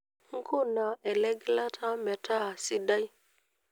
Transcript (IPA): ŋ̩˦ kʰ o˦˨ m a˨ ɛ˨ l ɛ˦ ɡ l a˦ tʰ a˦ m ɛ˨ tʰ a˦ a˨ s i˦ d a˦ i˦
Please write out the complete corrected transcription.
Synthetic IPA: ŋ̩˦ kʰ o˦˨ n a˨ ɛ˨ l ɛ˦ ɡ l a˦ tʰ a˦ m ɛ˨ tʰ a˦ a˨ s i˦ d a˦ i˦